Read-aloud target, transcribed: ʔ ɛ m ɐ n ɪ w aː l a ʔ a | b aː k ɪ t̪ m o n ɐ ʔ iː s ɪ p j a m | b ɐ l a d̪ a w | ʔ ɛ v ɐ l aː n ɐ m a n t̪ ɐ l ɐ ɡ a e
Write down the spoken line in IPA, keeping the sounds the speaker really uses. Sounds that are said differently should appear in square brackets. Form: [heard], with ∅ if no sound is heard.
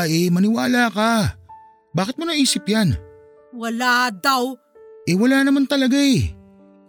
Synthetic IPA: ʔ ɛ m ɐ n ɪ w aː l a [k] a | b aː k ɪ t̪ m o n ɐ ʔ iː s ɪ p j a [n] | [w] ɐ l a d̪ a w | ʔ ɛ [w] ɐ l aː n ɐ m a n t̪ ɐ l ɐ ɡ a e